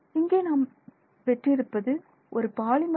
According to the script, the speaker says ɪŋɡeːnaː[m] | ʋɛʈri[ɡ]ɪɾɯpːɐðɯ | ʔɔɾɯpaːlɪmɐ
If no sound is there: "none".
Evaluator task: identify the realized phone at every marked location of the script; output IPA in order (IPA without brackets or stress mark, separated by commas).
m, none